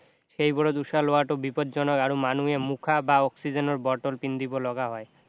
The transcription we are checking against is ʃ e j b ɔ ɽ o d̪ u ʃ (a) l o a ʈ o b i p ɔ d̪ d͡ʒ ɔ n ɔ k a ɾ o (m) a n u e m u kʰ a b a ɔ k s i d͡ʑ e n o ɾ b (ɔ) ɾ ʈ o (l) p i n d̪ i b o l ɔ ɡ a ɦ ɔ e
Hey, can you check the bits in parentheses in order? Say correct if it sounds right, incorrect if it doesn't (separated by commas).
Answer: correct, correct, correct, correct